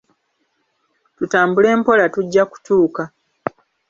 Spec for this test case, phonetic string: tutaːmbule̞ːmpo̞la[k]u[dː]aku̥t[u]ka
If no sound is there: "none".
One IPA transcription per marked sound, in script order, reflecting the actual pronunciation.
t, ɟː, uː

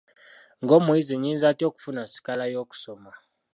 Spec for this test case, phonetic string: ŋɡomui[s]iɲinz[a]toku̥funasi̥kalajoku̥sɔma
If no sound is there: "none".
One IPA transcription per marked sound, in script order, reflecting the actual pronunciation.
z, a

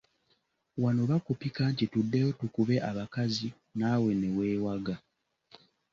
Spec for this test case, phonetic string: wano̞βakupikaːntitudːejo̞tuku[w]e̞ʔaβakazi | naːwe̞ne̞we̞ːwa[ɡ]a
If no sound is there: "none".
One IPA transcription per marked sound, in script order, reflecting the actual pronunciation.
β, ɡ

